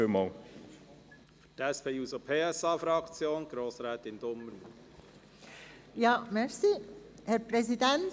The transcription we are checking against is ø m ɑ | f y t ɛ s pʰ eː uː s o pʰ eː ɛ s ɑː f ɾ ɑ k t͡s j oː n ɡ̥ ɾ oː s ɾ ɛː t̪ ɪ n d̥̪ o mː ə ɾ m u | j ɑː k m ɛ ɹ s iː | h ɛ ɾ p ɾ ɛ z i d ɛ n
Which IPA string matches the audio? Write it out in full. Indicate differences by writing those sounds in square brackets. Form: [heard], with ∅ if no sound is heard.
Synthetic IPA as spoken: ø m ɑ | f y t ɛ s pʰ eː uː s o pʰ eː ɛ s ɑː f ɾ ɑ k t͡s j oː n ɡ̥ ɾ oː s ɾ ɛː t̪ ɪ n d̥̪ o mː ə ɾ m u | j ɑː [∅] m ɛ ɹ s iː | h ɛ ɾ p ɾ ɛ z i d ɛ n